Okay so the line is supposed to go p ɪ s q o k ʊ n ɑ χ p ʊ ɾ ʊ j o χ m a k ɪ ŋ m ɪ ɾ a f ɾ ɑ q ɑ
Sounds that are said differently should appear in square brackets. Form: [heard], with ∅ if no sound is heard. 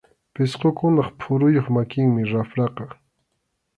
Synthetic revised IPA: p ɪ s q o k ʊ n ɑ χ [pʰ] ʊ ɾ ʊ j o χ m a k ɪ ŋ m ɪ ɾ a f ɾ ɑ q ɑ